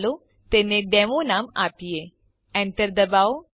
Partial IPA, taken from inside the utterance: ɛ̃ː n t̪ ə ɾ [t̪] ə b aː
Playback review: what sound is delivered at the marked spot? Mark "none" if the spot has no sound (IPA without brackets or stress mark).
d̪